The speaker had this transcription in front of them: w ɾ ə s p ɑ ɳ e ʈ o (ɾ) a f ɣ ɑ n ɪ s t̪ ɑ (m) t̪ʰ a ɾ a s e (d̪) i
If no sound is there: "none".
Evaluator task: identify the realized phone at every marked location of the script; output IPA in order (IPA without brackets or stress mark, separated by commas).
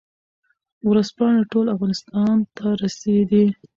l, n, d̪